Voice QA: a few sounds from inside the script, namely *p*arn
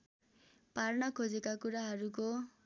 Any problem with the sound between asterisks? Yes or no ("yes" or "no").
no